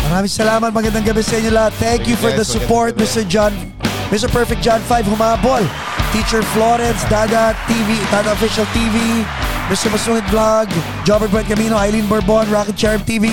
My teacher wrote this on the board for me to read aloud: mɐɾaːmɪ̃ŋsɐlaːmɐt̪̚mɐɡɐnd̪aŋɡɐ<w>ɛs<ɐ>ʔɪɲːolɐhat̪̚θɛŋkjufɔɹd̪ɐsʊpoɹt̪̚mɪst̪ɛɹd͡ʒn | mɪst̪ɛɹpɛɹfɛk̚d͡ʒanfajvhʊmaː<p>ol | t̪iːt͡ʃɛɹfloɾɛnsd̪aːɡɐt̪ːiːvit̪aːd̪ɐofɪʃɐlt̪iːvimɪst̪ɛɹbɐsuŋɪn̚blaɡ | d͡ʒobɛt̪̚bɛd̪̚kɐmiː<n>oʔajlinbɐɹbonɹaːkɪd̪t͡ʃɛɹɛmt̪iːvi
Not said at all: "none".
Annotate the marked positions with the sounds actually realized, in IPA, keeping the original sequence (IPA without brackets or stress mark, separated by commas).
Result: b, ɐ, b, n